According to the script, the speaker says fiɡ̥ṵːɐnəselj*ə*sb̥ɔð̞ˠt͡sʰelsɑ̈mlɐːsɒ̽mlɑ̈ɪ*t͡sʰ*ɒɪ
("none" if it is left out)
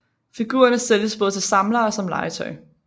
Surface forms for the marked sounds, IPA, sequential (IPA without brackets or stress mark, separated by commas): ə, t͡sʰ